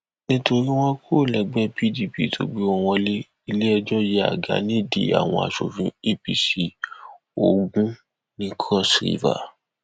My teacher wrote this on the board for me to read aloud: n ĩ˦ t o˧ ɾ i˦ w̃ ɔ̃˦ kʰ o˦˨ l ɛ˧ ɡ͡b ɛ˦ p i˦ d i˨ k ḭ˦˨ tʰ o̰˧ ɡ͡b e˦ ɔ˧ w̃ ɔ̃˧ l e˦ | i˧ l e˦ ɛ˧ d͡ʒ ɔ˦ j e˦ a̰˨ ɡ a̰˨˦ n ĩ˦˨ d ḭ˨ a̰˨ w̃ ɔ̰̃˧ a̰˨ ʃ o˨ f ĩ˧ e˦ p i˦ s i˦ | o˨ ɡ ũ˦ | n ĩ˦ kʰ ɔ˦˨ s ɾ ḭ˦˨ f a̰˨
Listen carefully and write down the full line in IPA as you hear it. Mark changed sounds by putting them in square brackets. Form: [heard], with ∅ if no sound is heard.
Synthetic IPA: n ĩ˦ t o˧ ɾ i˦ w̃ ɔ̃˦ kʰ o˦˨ l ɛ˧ ɡ͡b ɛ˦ p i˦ d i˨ [p] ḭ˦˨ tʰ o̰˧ ɡ͡b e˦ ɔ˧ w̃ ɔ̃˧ l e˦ | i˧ l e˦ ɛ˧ d͡ʒ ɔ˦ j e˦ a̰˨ ɡ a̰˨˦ n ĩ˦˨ d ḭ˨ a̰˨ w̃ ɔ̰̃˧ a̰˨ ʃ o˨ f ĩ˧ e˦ p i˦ s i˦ | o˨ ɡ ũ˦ | n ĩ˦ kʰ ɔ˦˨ s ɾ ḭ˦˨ [v] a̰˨